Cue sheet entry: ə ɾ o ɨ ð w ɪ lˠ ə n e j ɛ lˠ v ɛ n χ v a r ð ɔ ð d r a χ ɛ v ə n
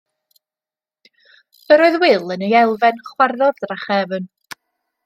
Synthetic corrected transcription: ə ɾ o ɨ ð w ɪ lˠ ə n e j ɛ lˠ v ɛ n χ w a r ð ɔ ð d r a χ ɛ v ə n